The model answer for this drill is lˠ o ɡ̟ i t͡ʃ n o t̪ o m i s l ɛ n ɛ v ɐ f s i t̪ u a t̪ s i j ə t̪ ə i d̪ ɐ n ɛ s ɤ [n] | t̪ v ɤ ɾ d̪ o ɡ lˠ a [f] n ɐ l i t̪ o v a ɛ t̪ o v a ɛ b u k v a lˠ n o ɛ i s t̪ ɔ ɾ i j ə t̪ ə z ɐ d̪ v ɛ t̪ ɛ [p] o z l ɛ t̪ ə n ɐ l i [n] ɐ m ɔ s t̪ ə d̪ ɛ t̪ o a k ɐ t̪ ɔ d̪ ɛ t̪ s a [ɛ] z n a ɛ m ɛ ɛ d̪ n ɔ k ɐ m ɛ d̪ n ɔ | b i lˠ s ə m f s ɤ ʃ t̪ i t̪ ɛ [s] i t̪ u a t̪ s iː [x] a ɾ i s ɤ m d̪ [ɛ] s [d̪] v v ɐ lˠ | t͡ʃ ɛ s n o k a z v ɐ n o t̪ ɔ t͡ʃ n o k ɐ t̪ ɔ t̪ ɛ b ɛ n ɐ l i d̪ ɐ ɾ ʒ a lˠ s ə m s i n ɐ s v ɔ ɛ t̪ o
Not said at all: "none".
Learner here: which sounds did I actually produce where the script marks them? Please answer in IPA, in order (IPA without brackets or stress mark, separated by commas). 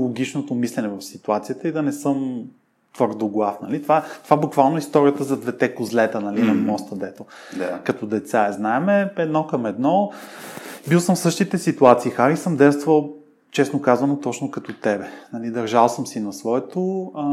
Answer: m, f, k, n, ɛ, s, x, ɛ, t̪